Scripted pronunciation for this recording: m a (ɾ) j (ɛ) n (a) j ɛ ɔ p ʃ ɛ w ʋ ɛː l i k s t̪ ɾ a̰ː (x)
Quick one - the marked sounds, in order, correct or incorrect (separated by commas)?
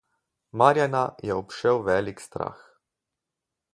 correct, incorrect, correct, correct